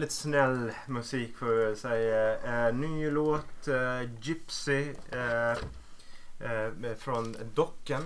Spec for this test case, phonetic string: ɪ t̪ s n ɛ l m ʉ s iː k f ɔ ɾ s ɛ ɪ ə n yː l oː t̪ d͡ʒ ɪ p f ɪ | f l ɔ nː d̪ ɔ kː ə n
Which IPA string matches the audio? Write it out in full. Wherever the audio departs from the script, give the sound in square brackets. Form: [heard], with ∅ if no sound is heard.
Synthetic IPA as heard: ɪ t̪ s n ɛ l m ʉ s iː k f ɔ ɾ s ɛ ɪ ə n yː l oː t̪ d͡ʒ ɪ p [s] ɪ | f [ɾ] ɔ [n] d̪ ɔ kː ə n